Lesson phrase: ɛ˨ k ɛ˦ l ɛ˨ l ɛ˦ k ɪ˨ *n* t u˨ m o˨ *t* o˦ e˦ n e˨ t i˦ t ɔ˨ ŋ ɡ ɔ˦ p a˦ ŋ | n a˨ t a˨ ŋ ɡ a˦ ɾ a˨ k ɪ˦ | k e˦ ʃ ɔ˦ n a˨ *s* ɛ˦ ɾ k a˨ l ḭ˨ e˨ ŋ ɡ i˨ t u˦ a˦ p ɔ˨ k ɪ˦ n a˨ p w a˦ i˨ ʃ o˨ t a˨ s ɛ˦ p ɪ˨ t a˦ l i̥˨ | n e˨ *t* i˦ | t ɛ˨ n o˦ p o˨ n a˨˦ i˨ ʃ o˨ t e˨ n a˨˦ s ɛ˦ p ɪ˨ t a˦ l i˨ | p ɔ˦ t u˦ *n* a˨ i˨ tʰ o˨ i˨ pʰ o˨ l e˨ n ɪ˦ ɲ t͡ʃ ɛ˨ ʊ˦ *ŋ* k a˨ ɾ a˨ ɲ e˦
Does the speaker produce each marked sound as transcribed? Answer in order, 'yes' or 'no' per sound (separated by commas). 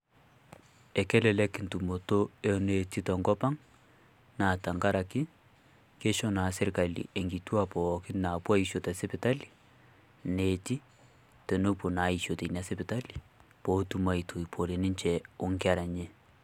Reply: yes, yes, yes, yes, no, yes